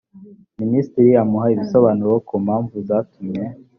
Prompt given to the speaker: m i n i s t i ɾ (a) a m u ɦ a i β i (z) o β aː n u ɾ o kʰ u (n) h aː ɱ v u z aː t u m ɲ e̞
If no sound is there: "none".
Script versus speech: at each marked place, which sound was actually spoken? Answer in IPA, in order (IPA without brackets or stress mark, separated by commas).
i, s, m